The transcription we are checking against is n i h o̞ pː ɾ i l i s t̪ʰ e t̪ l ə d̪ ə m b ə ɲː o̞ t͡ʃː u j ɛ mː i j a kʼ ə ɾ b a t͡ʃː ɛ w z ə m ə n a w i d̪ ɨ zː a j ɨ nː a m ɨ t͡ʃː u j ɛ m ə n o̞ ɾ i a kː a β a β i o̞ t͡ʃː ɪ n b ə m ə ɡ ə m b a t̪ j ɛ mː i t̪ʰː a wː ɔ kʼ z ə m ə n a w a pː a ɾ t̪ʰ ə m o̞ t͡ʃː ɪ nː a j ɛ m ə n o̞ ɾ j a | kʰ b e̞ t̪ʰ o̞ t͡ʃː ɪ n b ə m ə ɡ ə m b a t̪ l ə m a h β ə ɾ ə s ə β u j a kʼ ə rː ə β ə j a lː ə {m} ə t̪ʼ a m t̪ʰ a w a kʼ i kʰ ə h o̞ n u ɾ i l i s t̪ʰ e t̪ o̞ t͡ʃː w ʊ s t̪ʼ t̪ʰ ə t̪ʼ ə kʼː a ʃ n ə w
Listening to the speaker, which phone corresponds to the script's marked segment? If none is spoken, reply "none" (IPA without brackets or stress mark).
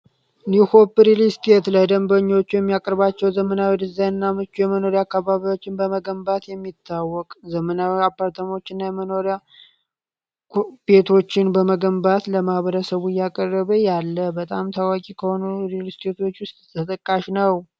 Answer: b